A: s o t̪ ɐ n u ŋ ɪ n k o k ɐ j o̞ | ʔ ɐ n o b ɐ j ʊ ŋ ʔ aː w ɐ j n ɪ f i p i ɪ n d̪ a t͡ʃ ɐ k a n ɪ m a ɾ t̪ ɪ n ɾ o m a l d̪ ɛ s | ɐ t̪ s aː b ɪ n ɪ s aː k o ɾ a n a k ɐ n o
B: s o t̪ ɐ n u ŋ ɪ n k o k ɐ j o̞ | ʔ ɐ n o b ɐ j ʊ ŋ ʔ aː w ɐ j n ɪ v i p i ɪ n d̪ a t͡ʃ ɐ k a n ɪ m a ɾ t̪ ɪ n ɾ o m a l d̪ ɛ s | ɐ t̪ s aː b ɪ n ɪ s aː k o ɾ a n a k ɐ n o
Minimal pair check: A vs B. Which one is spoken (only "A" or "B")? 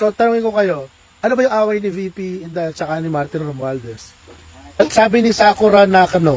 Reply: B